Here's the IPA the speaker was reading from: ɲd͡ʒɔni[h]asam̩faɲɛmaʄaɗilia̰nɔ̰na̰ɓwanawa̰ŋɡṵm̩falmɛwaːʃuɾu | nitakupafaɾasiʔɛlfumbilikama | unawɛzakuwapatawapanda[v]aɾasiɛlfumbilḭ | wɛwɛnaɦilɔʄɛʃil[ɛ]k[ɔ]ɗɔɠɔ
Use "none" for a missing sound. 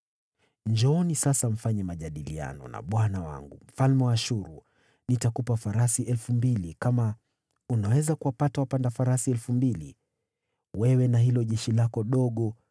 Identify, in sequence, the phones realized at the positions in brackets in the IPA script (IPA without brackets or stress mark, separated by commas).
s, f, a, ɔ